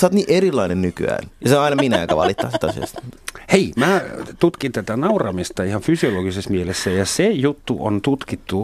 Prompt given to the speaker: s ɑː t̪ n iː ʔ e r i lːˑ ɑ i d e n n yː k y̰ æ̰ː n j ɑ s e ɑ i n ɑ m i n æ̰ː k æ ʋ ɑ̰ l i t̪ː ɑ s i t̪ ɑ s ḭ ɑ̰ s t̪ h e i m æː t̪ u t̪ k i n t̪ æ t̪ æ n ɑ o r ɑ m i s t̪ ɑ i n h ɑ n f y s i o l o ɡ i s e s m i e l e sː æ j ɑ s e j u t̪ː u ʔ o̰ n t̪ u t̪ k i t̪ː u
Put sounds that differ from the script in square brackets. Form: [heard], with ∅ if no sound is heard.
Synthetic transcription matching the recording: s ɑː t̪ n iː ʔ e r i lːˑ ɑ i [n] e n n [y] k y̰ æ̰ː n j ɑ s e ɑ i n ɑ m i n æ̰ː k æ ʋ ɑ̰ l i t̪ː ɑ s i t̪ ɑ s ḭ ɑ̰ s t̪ h e i m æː t̪ u t̪ k i n t̪ æ t̪ æ n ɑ [u] r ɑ m i s t̪ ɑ i [∅] h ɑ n f y s i o l o ɡ i s e s m i e l e sː æ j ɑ s e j u t̪ː u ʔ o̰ n t̪ u t̪ k i t̪ː u